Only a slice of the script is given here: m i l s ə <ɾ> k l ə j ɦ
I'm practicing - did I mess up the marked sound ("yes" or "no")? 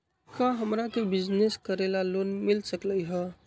yes